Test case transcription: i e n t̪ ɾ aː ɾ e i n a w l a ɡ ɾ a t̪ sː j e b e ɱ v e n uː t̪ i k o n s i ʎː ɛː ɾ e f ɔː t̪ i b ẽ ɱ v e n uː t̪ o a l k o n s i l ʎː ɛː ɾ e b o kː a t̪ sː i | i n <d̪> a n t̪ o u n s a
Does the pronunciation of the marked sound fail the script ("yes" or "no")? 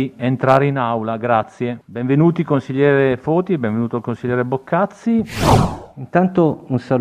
yes